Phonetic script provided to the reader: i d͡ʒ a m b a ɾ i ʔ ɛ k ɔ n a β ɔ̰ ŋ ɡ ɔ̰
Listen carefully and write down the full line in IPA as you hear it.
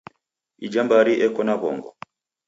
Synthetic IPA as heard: i d͡ʒ a m b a ɾ i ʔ ɛ k ɔ n a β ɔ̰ ŋ ɡ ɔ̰